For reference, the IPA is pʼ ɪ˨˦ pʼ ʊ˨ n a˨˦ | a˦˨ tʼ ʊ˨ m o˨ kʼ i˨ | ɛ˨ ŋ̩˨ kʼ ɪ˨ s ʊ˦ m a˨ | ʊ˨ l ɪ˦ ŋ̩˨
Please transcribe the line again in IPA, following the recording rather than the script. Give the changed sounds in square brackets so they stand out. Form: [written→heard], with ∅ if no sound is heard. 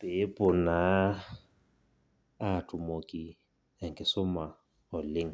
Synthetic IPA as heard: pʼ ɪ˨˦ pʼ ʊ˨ n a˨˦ | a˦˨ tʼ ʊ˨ m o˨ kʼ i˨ | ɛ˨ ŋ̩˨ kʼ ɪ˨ s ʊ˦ m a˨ | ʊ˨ l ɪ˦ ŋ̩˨